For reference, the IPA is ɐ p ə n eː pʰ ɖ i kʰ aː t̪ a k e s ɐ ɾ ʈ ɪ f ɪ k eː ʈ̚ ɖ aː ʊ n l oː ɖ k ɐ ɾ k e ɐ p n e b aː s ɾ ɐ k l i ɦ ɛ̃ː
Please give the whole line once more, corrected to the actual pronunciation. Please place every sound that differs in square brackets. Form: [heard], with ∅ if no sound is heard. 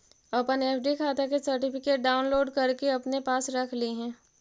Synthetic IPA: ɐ p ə n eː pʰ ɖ i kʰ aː t̪ a k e s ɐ ɾ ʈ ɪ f ɪ k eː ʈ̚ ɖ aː ʊ n l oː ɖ k ɐ ɾ k e ɐ p n e [p] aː s ɾ ɐ [kʰ] l i ɦ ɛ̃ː